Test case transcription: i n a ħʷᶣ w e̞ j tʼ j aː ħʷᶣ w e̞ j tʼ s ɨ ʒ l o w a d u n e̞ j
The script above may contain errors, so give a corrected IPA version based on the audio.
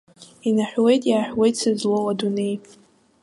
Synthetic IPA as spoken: i n a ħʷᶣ w e̞ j tʼ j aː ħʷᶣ w e̞ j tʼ s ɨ z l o w a d u n e̞ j

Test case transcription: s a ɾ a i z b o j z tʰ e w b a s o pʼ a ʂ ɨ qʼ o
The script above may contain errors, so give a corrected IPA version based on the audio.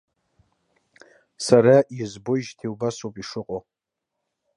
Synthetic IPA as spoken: s a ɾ a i z b o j ʒ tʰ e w b a s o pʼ i ʂ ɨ qʼ o

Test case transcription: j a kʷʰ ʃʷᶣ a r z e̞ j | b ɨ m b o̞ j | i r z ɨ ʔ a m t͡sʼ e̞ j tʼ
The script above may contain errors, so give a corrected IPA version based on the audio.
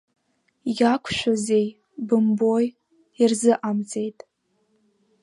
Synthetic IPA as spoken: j a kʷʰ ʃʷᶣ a z e̞ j | b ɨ m b o̞ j | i r z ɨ ʔ a m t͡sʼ e̞ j tʼ

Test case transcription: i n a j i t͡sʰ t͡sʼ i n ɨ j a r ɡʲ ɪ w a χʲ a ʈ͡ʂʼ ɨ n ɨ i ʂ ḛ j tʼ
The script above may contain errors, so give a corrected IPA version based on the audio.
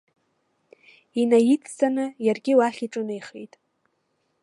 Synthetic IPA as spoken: i n a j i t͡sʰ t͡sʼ a n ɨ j a r ɡʲ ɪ w a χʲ i ʈ͡ʂʼ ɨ n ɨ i χ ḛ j tʼ

